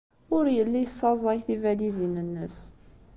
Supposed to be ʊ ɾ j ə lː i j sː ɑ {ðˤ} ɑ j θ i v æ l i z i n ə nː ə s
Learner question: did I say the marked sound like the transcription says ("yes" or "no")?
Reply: no